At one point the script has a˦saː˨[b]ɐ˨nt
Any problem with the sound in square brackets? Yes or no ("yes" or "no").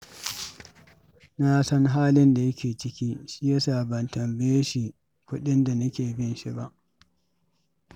no